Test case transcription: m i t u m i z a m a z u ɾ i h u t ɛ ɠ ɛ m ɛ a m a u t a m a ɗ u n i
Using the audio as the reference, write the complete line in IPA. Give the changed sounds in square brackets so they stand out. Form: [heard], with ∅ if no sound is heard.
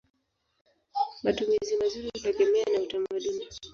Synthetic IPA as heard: m [a] t u m i z [i] m a z u ɾ i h u t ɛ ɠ ɛ m ɛ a [n] a u t a m a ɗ u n i